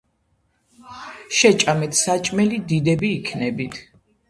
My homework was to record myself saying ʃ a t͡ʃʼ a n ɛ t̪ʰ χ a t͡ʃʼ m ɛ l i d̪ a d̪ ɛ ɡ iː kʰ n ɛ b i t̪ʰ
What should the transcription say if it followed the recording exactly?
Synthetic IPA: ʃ ɛ t͡ʃʼ a m ɛ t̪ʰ s a t͡ʃʼ m ɛ l i d̪ i d̪ ɛ b iː kʰ n ɛ b i t̪ʰ